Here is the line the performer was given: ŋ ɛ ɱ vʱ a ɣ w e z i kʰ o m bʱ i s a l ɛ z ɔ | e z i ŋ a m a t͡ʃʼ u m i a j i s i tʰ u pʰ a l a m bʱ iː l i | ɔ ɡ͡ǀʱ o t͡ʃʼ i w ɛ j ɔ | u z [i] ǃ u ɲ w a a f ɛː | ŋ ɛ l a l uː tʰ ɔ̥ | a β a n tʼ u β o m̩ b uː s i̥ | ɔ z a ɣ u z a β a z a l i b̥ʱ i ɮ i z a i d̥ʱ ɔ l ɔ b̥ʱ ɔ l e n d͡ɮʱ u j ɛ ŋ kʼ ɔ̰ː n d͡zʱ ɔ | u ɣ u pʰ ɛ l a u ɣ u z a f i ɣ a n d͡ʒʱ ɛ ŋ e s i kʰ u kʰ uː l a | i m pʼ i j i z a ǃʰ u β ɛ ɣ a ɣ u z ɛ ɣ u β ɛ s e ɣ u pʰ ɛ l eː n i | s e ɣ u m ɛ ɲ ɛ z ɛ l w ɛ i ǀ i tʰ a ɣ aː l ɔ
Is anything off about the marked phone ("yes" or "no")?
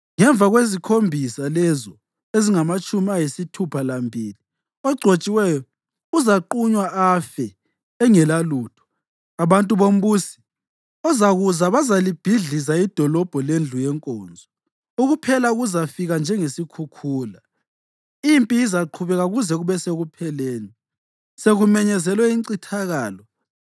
yes